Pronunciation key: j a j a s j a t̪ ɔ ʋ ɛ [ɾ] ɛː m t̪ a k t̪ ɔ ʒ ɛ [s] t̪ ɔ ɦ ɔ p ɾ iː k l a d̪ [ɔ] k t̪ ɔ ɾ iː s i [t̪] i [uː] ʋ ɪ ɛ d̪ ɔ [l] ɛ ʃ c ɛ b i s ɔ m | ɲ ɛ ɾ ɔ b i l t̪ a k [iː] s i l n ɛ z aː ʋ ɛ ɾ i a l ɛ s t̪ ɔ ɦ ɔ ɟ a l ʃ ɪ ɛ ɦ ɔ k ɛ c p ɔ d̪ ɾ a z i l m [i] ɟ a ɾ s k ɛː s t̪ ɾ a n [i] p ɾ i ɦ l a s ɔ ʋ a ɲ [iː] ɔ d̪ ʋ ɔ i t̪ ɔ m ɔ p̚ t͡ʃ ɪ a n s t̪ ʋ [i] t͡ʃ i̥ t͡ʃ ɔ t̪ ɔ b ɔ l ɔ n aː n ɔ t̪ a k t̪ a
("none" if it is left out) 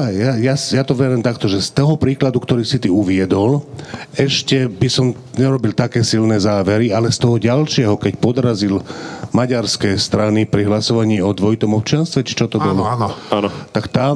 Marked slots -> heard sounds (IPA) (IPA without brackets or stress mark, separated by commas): ɾ, s, u, t̪, u, l, ɛː, a, i, iː, ɛ